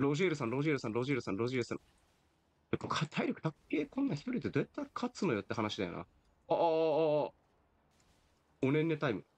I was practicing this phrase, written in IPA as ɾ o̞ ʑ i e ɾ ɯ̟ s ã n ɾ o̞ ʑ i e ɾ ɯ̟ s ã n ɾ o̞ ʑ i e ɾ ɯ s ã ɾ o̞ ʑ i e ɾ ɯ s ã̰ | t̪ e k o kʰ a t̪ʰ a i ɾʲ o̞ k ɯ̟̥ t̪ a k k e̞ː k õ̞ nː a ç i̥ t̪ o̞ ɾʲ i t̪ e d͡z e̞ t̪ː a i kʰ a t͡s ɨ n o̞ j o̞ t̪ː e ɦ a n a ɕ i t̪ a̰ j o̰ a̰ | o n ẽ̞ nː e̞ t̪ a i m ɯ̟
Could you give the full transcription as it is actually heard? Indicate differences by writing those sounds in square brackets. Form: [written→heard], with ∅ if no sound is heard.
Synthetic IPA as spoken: ɾ o̞ ʑ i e ɾ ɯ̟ s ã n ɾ o̞ ʑ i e ɾ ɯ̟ s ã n ɾ o̞ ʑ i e ɾ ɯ s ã ɾ o̞ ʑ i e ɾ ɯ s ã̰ | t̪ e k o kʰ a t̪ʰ a i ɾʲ o̞ k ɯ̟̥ t̪ a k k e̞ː k õ̞ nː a ç i̥ t̪ o̞ ɾʲ i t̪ e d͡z e̞ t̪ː a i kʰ a t͡s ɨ n o̞ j o̞ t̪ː e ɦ a n a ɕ i [t̪→d̪] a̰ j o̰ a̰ | o n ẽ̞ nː e̞ t̪ a i m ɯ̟